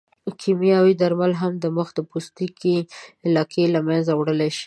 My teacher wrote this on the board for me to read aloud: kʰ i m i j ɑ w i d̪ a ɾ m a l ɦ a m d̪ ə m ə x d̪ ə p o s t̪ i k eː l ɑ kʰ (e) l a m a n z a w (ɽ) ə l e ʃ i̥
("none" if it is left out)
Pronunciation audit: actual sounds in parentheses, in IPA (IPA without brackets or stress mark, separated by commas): e, ɽ